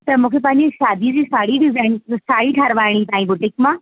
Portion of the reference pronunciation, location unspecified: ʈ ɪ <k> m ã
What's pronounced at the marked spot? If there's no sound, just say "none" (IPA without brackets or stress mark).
k